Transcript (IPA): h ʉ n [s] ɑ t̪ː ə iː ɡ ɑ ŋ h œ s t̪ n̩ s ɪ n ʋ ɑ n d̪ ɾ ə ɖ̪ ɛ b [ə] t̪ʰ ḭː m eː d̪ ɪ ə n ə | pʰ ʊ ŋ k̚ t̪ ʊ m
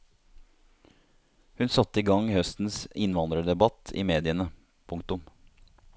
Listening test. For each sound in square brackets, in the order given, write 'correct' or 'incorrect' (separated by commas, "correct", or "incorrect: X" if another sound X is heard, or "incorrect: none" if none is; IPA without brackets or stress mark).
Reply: correct, incorrect: ɑ